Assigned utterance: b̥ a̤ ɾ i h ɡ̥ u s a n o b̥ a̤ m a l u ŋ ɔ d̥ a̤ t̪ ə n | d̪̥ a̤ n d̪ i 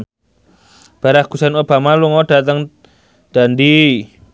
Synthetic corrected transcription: b̥ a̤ ɾ a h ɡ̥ u s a n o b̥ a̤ m a l u ŋ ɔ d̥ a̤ t̪ ə ŋ | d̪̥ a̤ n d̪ i